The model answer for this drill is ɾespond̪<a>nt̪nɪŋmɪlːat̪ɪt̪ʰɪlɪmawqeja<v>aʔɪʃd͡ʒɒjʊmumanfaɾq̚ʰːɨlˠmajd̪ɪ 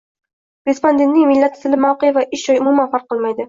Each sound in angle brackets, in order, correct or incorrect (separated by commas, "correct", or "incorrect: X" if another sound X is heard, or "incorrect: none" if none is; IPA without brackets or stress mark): incorrect: e, correct